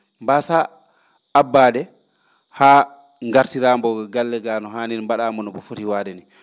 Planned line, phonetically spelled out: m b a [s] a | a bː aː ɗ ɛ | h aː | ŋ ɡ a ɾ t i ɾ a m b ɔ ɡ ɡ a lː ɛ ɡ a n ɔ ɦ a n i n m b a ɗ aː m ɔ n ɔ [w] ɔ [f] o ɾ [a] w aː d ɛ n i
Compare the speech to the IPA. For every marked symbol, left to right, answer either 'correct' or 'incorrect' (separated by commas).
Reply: correct, incorrect, correct, incorrect